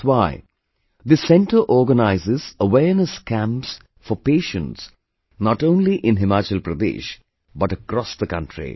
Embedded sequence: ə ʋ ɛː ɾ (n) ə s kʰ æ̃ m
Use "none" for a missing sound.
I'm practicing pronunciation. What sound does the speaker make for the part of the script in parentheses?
n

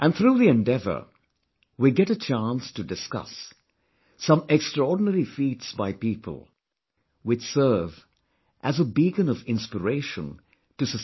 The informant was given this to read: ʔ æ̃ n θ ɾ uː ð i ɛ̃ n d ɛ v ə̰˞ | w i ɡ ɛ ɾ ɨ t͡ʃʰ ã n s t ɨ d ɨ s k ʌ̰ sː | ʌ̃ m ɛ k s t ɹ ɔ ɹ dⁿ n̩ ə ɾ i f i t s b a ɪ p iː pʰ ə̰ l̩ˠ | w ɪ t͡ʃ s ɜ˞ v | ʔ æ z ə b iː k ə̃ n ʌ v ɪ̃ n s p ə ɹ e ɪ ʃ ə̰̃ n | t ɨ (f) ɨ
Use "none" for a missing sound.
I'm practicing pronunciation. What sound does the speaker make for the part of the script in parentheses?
s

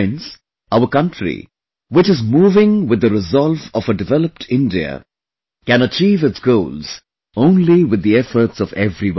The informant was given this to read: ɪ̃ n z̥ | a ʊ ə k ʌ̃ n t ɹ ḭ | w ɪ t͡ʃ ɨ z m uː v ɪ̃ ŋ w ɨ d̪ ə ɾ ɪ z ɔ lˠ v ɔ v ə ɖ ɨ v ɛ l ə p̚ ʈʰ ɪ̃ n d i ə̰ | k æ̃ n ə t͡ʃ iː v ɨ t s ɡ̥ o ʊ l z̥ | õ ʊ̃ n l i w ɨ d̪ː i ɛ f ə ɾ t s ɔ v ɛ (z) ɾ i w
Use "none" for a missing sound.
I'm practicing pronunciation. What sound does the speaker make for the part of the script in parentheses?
v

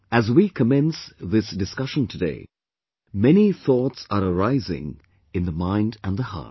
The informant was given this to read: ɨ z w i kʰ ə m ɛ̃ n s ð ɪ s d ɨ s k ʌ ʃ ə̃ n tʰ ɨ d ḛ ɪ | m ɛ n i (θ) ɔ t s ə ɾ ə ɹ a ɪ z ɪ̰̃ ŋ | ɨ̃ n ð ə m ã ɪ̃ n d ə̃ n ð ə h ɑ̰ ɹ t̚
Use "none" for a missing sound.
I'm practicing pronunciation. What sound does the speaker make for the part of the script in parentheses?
θ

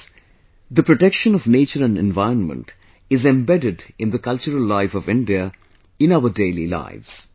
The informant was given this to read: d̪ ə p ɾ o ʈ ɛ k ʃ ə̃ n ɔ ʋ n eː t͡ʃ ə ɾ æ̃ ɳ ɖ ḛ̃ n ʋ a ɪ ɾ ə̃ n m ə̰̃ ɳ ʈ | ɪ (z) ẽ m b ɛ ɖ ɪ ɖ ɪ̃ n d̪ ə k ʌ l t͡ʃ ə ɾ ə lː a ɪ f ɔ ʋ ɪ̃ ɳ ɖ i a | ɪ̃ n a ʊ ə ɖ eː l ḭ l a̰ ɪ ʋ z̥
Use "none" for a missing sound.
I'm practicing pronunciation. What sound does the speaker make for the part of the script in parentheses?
z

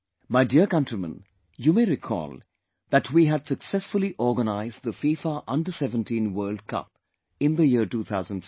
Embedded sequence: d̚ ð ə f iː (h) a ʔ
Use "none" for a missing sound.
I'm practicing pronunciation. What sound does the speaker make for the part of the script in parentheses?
f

